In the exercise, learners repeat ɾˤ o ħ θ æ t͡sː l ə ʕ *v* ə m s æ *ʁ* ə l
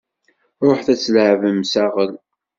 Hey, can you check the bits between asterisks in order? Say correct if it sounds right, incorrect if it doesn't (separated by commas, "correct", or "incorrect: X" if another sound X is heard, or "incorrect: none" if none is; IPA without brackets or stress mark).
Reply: correct, correct